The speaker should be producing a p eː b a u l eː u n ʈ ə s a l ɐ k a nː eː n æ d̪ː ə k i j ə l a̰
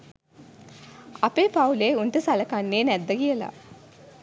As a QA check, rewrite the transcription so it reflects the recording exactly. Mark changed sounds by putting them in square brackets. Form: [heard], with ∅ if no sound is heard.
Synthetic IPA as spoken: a p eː [p] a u l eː u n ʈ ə s a l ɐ k a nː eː n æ d̪ː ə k i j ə l a̰